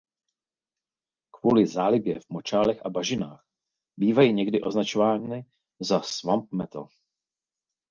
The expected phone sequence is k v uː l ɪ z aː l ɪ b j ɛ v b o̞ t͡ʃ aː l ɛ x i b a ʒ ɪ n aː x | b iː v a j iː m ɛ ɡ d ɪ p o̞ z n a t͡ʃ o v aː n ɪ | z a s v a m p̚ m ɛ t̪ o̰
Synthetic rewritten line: k v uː l ɪ z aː l ɪ b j ɛ v m o̞ t͡ʃ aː l ɛ x a b a ʒ ɪ n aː x | b iː v a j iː ɲ ɛ ɡ d ɪ ʔ o̞ z n a t͡ʃ o v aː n ɪ | z a s v a m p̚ m ɛ t̪ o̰

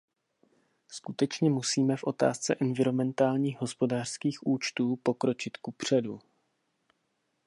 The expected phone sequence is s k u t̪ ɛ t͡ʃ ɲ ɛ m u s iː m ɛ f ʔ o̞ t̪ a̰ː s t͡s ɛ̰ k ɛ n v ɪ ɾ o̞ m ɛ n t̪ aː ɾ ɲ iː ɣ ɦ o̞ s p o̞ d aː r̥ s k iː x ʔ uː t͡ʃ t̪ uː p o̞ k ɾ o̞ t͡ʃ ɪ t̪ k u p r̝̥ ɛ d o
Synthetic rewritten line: s k u t̪ ɛ t͡ʃ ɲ ɛ m u s iː m ɛ f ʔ o̞ t̪ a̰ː s t͡s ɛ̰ ʔ ɛ n v ɪ ɾ o̞ m ɛ n t̪ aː l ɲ iː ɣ ɦ o̞ s p o̞ d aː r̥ s k iː x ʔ uː t͡ʃ t̪ uː p o̞ k ɾ o̞ t͡ʃ ɪ t̪ k u p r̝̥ ɛ d u

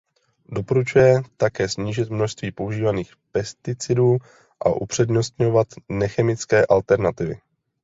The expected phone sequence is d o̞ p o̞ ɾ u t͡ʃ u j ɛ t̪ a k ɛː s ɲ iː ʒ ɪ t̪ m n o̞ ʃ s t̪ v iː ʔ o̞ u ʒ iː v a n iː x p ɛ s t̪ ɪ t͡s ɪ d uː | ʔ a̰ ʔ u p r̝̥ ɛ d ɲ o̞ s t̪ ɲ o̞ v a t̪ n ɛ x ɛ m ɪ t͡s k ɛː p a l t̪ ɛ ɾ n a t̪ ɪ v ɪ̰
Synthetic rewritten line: d o̞ p o̞ ɾ u t͡ʃ u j ɛ t̪ a k ɛː s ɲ iː ʒ ɪ t̪ m n o̞ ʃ s t̪ v iː p o̞ u ʒ iː v a n iː x p ɛ s t̪ ɪ t͡s ɪ d uː | ʔ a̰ ʔ u p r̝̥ ɛ d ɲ o̞ s t̪ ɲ o̞ v a t̪ n ɛ x ɛ m ɪ t͡s k ɛː ʔ a l t̪ ɛ ɾ n a t̪ ɪ v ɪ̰

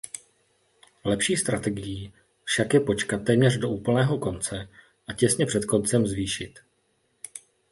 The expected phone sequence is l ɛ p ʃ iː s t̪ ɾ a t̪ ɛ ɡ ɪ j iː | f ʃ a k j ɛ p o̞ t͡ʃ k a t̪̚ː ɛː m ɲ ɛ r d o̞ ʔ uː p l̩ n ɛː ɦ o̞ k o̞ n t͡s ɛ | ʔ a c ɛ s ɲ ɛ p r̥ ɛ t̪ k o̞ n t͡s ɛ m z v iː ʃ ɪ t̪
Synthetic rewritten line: l ɛ p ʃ iː s t̪ ɾ a t̪ ɛ ɡ ɪ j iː | f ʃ a k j ɛ p o̞ t͡ʃ k a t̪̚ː ɛː m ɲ ɛ r d o̞ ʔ uː p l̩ n ɛː ɦ o̞ k o̞ n t͡s ɛ | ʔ a c ɛ s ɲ ɛ p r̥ ɛ t̪ k o̞ n t͡s ɛ m z v iː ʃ ɪ t̪

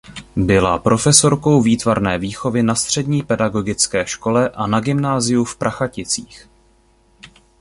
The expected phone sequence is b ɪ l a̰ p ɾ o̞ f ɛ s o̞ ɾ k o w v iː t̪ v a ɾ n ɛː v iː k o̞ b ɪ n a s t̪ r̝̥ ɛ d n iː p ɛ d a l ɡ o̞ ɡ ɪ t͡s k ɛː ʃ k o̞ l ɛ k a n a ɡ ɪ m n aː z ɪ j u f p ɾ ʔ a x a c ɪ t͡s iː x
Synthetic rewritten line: b ɪ l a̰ p ɾ o̞ f ɛ s o̞ ɾ k o w v iː t̪ v a ɾ n ɛː v iː x o̞ v ɪ n a s t̪ r̝̥ ɛ d ɲ iː p ɛ d a ɡ o̞ ɡ ɪ t͡s k ɛː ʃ k o̞ l ɛ ʔ a n a ɡ ɪ m n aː z ɪ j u f p ɾ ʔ a x a c ɪ t͡s iː x

